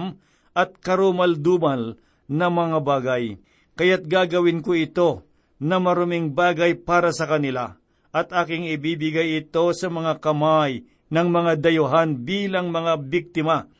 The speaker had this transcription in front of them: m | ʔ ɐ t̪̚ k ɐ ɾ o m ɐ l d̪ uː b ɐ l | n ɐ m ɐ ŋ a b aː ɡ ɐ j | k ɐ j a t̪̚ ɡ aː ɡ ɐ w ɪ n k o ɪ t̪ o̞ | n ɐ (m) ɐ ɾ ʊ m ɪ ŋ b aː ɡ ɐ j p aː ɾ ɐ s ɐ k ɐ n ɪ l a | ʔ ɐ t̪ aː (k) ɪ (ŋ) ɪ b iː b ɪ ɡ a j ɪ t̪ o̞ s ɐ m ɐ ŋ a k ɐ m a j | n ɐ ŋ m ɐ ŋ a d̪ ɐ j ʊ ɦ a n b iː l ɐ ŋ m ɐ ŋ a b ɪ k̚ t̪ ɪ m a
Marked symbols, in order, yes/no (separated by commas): yes, yes, yes